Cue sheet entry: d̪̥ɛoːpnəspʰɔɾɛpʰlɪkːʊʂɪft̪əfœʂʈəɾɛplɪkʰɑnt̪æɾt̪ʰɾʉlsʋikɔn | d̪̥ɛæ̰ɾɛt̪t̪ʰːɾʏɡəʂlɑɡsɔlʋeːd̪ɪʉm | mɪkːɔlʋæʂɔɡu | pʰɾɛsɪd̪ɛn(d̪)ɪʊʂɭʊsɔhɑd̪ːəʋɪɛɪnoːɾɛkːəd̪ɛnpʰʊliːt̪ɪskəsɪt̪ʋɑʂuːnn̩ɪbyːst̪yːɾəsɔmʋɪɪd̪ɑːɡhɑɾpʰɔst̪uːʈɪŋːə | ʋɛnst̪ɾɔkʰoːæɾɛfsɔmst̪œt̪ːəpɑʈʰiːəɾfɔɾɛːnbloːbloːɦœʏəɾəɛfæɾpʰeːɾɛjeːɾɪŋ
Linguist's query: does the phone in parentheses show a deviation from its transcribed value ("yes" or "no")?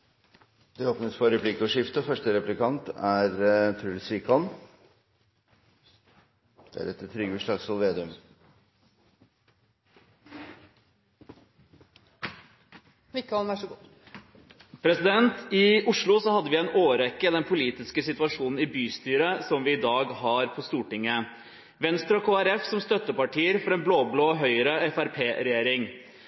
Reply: yes